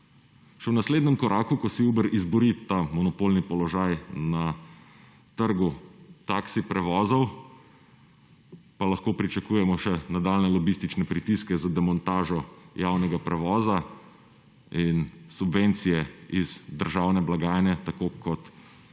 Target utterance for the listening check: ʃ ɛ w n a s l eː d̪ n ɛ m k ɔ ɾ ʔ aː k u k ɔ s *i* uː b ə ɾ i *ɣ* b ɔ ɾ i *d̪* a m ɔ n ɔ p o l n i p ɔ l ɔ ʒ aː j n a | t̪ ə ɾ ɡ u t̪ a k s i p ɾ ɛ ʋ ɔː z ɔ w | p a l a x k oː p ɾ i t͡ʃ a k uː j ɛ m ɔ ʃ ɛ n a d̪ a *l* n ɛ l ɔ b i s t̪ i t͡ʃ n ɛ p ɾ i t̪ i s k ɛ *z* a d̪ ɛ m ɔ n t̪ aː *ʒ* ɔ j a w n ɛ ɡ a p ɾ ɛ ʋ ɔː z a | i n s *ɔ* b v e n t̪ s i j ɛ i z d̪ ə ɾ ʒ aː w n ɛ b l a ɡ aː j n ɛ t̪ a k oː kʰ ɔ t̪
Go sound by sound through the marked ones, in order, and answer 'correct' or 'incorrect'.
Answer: correct, incorrect: z, incorrect: t̪, correct, correct, correct, incorrect: u

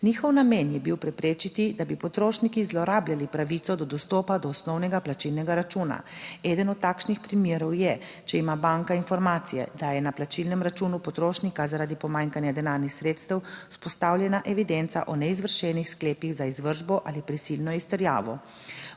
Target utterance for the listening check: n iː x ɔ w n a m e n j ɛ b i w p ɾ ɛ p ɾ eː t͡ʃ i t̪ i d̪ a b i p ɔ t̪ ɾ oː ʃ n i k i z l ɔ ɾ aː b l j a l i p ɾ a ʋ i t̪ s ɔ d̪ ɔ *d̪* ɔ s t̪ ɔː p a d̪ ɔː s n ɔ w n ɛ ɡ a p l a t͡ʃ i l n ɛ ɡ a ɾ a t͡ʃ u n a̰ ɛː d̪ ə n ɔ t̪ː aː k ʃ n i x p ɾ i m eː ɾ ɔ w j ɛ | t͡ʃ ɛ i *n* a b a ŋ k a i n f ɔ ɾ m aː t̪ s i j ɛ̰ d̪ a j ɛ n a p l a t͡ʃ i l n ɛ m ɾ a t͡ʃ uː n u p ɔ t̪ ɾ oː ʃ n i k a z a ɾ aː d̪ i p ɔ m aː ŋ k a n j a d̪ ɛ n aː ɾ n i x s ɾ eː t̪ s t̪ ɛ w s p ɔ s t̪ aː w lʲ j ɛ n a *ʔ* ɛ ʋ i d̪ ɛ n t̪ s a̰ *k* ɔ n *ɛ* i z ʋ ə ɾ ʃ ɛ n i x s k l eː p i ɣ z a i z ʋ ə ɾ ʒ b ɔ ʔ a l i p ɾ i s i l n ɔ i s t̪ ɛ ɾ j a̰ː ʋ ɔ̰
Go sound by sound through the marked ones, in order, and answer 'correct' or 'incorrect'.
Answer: correct, incorrect: m, correct, incorrect: ʔ, correct

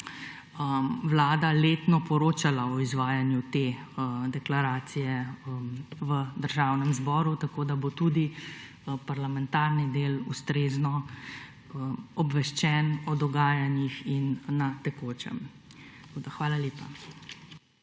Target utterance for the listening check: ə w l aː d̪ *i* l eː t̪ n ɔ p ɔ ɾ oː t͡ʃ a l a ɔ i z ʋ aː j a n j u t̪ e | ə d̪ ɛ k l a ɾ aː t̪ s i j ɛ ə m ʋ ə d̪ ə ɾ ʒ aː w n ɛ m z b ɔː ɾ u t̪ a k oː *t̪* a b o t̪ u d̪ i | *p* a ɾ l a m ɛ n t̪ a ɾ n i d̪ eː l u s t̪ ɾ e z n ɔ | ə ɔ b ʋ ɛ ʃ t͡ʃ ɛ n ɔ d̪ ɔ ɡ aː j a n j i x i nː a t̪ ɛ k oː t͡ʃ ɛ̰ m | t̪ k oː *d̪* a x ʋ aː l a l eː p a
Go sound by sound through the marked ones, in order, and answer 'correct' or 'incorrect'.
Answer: incorrect: a, incorrect: d̪, correct, correct

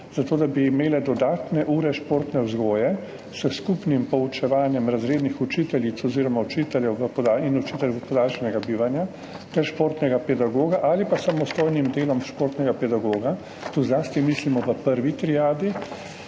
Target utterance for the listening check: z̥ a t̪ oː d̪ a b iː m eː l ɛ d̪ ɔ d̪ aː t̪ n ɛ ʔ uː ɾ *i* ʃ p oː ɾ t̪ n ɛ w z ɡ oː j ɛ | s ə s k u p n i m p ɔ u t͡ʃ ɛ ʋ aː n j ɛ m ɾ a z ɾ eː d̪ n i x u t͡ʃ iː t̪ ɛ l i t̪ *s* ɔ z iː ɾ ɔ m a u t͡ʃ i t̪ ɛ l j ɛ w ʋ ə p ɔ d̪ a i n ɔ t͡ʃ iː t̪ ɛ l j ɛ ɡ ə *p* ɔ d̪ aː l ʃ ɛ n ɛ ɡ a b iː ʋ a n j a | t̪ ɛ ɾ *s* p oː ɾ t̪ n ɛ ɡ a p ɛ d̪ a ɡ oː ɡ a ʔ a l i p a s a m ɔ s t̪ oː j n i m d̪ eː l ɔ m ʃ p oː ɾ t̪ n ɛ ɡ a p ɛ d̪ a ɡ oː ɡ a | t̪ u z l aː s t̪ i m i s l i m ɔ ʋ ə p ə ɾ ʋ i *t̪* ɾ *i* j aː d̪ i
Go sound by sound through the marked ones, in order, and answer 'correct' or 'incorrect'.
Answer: incorrect: ɛ, correct, correct, incorrect: ʃ, correct, correct

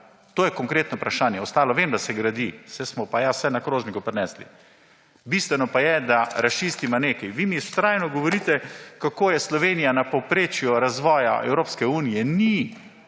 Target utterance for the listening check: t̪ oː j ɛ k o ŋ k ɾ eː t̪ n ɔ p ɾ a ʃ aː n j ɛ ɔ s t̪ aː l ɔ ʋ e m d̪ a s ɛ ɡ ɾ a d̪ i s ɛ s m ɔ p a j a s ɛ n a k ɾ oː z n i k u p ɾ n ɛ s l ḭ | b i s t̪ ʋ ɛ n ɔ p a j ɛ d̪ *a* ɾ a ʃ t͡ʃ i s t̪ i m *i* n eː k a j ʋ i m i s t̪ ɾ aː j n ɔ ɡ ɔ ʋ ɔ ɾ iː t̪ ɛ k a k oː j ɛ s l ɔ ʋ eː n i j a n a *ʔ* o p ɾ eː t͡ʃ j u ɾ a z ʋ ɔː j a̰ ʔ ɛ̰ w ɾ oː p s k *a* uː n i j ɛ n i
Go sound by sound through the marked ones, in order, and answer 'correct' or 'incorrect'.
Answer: correct, incorrect: a, incorrect: p, incorrect: ɛ

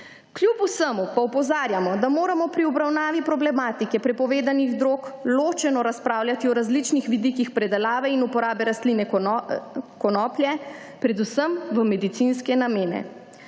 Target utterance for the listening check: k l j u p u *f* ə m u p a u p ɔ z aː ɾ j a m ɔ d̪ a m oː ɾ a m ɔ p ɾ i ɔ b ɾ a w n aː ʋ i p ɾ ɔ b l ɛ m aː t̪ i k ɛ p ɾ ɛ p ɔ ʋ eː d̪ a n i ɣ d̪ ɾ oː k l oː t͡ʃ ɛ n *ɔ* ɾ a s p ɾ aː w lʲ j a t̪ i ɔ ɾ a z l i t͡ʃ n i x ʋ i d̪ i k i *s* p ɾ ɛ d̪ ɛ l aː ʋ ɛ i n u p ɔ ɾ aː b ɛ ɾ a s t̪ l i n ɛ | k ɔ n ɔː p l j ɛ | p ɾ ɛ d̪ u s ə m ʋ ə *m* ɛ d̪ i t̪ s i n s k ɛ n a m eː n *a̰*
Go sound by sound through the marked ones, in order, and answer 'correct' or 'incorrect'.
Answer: incorrect: s, correct, incorrect: x, correct, incorrect: ɛ̰

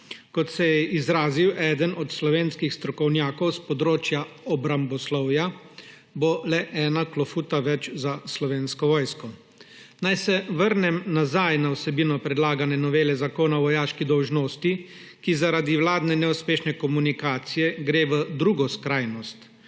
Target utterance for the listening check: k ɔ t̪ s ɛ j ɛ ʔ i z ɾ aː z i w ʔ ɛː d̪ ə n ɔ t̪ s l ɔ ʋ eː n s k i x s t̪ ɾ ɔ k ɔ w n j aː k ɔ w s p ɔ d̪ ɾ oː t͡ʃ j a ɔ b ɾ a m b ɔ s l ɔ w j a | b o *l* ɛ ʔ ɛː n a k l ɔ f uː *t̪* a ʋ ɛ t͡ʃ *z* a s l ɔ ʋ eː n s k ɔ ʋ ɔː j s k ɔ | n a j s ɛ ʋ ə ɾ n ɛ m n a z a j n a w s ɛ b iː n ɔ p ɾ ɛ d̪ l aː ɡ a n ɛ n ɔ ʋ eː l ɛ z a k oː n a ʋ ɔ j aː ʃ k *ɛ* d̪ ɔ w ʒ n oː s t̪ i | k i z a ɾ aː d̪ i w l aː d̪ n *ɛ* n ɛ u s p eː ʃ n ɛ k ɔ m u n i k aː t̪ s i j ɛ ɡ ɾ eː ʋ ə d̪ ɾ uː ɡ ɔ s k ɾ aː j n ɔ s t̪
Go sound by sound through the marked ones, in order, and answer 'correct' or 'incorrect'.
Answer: correct, correct, correct, incorrect: i, correct

